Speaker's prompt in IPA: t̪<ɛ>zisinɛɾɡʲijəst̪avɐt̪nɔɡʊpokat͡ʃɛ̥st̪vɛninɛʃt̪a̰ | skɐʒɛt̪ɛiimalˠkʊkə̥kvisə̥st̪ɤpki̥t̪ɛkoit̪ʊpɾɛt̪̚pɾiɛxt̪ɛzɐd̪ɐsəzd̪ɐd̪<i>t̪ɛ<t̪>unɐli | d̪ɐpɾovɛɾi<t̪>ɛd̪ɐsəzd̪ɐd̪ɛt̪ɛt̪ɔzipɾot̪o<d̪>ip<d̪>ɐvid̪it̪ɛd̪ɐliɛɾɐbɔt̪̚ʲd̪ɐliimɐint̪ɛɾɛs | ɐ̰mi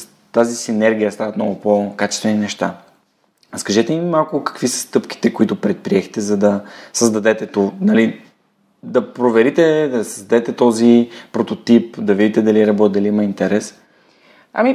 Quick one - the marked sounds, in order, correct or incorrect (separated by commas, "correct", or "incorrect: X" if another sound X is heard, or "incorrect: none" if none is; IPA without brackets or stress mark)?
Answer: incorrect: a, incorrect: ɛ, correct, correct, incorrect: t̪, correct